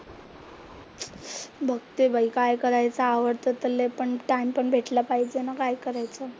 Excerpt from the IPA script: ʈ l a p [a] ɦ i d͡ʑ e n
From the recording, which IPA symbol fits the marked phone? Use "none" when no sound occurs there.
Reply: a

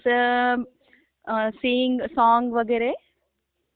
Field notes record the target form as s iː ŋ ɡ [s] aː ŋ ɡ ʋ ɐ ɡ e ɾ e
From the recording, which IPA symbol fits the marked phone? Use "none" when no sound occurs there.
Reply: s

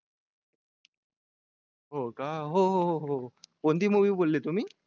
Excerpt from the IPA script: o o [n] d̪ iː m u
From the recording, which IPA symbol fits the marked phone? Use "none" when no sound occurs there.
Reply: n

